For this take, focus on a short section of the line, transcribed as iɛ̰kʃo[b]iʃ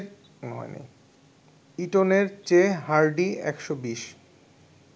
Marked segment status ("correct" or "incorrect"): correct